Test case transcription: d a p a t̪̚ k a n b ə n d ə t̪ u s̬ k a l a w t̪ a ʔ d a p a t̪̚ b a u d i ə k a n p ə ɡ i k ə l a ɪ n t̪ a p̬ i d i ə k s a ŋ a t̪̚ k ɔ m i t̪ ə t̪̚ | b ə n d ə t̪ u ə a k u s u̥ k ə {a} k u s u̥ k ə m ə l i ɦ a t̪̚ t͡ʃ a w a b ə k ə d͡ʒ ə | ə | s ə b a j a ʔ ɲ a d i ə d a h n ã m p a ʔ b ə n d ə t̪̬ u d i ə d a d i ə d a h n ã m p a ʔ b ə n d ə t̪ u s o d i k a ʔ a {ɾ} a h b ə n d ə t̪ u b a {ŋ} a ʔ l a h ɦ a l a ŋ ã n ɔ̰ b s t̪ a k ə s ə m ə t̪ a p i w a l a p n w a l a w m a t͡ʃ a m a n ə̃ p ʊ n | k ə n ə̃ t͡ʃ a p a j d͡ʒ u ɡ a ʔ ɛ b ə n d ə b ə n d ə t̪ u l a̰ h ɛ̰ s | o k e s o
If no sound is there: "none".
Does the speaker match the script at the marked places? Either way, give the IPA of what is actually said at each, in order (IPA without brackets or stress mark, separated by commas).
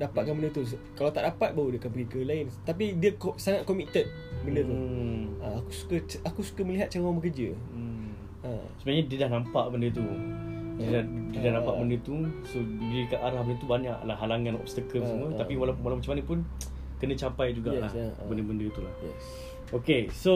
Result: a, ɾ, ɲ